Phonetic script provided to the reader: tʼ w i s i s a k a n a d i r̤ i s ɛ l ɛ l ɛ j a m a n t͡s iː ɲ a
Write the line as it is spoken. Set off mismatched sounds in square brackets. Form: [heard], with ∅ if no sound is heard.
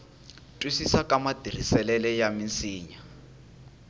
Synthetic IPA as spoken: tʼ w i s i s a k a [m] a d i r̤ i s ɛ l ɛ l ɛ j a m [i] n t͡s iː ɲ a